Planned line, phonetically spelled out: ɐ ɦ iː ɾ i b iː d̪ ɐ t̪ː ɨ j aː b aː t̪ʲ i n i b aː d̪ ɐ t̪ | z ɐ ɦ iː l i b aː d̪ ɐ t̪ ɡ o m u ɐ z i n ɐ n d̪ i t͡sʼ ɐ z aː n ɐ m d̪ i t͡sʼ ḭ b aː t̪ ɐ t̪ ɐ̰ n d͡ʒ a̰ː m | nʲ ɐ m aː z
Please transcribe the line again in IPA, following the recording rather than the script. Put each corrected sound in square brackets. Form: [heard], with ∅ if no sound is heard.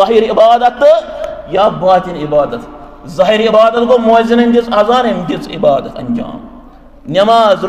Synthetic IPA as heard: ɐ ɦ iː ɾ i b [aː] d̪ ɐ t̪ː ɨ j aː b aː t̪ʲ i n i b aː d̪ ɐ t̪ | z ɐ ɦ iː [ɾ] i b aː d̪ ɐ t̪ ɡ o m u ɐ z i n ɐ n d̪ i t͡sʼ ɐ z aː n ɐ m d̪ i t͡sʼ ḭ b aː [d̪] ɐ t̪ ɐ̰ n d͡ʒ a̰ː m | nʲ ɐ m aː z